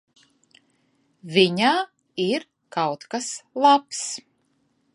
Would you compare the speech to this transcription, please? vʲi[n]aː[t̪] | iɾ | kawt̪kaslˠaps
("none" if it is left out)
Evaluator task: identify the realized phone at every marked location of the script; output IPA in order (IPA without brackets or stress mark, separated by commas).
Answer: ɲ, none